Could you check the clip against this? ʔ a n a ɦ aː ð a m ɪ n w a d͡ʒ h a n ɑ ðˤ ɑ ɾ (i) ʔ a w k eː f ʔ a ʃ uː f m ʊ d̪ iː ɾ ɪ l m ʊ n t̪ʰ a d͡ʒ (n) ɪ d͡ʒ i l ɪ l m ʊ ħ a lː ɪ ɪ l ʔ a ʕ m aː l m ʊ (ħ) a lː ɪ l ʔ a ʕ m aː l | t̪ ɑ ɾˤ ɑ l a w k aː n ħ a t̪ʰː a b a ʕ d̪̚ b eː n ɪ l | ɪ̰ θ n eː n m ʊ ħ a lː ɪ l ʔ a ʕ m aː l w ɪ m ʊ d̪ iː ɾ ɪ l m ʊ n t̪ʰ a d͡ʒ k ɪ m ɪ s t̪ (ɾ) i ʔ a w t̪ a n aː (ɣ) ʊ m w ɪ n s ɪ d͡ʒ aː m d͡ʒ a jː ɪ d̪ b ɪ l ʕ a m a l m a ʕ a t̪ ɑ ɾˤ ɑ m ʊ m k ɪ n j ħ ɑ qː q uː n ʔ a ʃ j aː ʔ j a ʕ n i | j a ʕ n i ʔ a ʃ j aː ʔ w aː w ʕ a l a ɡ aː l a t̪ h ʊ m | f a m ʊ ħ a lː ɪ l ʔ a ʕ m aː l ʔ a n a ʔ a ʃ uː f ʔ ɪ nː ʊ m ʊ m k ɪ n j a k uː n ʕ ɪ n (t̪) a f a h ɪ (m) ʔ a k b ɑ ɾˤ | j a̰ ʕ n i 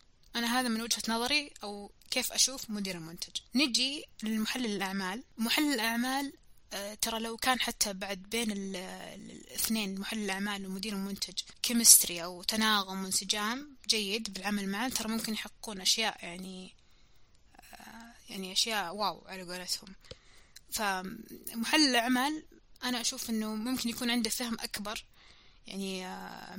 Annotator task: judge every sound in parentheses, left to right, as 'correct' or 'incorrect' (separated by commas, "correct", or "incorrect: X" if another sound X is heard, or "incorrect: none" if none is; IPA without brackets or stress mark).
correct, correct, correct, correct, correct, incorrect: d̪, correct